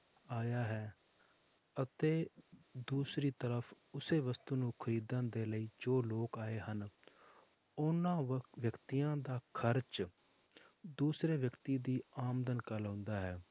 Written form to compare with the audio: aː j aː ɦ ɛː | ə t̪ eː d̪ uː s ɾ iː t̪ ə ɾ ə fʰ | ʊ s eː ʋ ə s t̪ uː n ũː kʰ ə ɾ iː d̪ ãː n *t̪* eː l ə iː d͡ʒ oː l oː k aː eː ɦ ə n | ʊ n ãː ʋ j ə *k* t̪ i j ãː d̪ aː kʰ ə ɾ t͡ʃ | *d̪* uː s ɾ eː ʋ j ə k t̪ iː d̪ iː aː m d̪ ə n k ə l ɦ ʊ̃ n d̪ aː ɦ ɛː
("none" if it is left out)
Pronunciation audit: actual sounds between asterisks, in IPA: d̪, k, d̪

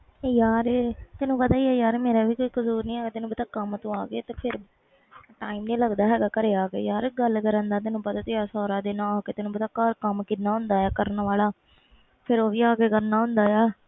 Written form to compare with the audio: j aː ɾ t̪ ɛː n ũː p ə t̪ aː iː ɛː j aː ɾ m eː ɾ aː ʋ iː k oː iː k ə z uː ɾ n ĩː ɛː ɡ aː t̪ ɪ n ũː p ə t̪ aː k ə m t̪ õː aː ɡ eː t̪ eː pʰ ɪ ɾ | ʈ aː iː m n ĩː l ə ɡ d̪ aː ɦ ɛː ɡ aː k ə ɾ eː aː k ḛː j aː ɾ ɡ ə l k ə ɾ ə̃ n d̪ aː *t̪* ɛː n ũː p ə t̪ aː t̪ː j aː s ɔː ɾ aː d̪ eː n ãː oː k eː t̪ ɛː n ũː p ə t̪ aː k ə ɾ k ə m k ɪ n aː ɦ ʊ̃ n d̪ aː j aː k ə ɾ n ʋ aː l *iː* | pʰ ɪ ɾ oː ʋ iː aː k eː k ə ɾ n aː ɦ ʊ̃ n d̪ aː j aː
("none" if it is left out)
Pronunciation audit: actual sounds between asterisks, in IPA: t̪, aː

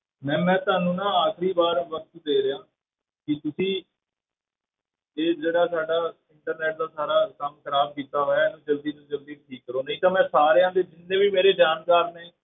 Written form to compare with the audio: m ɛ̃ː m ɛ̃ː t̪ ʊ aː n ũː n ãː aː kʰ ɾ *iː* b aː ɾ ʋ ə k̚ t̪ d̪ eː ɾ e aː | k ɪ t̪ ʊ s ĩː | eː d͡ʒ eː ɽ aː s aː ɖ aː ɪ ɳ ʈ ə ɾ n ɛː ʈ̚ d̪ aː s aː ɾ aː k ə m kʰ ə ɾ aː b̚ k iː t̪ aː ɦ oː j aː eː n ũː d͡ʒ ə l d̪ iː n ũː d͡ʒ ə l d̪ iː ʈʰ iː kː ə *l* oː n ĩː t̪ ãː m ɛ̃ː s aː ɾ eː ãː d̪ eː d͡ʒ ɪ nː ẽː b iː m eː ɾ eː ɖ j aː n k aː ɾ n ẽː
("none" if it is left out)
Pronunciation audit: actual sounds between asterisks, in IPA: iː, ɾ

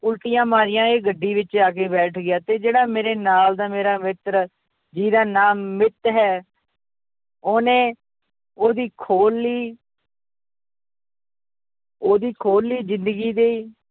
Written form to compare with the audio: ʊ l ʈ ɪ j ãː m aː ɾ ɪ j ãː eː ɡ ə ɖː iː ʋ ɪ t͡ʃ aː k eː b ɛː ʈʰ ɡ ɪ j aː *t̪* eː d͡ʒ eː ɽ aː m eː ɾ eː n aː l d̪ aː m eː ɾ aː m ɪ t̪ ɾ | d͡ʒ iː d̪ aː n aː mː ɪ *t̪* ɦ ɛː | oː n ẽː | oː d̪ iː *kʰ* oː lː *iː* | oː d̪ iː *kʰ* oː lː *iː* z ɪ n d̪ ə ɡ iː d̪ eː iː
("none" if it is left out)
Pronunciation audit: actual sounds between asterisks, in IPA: t̪, t̪, kʰ, iː, kʰ, iː

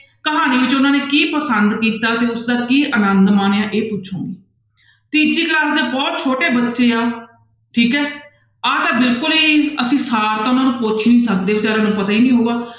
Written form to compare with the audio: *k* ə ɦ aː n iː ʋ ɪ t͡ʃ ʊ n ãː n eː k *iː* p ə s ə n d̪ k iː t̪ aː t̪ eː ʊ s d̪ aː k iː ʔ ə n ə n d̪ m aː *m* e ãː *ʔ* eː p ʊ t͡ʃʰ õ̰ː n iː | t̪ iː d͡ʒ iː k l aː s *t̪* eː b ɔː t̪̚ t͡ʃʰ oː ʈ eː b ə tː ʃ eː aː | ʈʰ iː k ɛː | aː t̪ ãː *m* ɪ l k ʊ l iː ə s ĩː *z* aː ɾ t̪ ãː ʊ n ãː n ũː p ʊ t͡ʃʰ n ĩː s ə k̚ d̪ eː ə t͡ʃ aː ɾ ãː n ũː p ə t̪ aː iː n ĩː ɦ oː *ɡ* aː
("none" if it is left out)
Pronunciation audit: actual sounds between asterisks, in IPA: k, iː, n, ʔ, d̪, b, s, ɡ

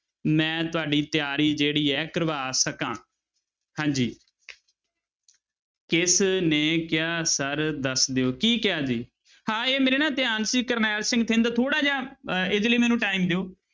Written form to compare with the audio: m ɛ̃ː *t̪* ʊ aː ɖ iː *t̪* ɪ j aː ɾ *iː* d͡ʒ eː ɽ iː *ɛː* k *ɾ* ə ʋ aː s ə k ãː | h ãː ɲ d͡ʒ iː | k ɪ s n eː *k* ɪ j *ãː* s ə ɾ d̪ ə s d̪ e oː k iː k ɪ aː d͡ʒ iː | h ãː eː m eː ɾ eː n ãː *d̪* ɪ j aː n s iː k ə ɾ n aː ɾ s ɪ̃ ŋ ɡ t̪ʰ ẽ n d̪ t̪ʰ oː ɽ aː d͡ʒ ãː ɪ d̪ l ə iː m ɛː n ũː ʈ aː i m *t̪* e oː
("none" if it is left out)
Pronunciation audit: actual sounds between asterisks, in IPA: t̪, t̪, iː, ɛː, ɾ, k, aː, t̪, d̪

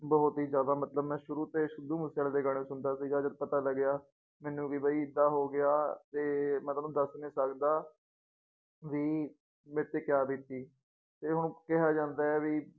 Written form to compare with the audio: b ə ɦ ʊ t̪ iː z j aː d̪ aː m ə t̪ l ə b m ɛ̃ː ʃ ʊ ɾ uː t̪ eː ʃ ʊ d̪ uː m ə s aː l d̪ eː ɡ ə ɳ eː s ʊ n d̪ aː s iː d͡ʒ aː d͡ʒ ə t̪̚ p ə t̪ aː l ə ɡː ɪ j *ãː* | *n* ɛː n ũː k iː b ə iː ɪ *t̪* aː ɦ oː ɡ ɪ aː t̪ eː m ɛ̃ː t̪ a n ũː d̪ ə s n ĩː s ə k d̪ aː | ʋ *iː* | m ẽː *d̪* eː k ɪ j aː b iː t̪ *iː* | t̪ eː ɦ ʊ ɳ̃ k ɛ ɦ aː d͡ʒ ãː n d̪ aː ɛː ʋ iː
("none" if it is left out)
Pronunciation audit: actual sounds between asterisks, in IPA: aː, m, d̪, iː, t̪, iː

